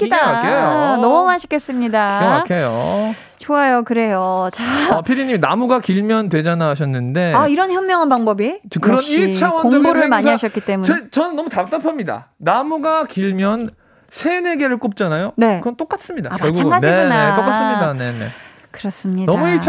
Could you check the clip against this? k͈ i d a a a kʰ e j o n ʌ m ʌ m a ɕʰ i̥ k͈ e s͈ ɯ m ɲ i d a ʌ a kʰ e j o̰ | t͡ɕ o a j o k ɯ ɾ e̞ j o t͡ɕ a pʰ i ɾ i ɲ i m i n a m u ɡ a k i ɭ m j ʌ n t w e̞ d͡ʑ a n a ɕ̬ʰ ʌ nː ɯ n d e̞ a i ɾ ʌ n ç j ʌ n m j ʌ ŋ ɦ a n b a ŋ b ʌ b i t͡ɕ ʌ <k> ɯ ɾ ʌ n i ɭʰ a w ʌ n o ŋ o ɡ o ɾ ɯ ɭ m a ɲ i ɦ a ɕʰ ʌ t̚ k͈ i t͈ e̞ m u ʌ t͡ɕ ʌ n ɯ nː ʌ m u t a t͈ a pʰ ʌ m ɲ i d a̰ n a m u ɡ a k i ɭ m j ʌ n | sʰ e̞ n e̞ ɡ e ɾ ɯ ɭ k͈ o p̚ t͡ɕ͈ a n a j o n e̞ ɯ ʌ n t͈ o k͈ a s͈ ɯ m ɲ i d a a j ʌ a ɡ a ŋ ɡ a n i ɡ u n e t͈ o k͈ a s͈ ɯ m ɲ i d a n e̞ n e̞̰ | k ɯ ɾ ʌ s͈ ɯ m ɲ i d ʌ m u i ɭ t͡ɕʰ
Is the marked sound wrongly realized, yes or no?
no